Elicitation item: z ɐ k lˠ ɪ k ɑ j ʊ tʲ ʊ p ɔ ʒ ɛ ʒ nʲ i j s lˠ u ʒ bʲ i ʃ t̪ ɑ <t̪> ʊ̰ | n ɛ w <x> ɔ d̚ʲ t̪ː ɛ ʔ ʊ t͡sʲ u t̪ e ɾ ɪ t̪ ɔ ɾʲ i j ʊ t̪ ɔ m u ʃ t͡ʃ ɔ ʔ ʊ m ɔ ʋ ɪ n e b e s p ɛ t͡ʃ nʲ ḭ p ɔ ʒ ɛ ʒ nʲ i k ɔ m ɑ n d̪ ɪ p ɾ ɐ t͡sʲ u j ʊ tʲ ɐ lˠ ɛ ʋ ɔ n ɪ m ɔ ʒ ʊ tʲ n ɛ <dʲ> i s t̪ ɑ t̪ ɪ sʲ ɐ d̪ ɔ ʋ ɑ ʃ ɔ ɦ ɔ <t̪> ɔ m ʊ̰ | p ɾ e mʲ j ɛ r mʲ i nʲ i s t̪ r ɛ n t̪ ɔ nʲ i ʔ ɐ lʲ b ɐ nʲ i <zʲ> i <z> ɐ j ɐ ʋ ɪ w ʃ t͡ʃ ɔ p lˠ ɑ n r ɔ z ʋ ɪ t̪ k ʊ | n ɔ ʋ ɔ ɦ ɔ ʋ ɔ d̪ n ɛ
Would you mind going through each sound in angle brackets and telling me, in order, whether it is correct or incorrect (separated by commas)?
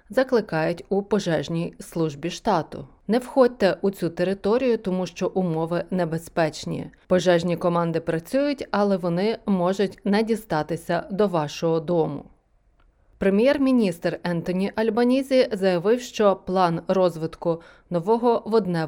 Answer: correct, correct, correct, incorrect, correct, correct